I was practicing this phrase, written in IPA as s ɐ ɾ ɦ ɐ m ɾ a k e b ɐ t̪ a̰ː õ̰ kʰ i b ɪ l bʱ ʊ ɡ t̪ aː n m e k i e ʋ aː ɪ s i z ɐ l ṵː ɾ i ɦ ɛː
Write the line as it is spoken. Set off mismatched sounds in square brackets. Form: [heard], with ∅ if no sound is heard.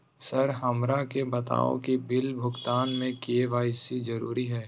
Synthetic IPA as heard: s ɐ ɾ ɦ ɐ m ɾ a k e b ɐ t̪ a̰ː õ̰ [k] i b ɪ l bʱ ʊ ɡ t̪ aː n m [ẽ] k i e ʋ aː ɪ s i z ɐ [ɾ] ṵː ɾ i ɦ ɛː